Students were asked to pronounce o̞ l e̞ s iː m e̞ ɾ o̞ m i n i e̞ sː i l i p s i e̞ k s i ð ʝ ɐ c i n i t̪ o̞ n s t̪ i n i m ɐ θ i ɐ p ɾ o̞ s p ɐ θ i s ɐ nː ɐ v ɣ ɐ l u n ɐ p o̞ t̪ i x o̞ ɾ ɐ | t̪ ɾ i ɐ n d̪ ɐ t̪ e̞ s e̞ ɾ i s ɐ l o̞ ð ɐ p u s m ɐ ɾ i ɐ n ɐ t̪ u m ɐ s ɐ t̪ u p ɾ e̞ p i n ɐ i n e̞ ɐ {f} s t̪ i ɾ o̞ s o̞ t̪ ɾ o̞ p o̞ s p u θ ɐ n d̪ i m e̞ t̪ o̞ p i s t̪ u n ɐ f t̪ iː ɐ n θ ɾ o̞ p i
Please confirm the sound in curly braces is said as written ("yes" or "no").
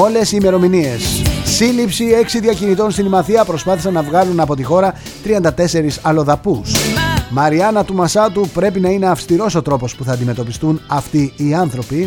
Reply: yes